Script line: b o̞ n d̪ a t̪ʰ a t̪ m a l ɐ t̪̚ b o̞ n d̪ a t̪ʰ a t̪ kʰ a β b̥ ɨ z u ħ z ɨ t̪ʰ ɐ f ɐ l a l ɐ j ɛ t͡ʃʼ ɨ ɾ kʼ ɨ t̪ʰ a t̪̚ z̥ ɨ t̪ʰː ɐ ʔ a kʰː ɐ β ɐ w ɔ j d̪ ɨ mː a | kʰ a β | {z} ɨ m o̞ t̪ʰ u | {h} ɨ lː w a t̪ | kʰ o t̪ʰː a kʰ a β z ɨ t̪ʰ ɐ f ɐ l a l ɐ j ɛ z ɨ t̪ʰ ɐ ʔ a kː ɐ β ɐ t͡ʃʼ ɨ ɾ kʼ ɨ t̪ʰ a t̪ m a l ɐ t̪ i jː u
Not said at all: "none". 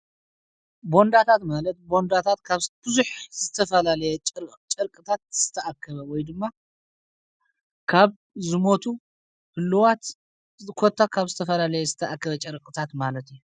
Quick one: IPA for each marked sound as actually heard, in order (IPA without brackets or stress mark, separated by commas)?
z, h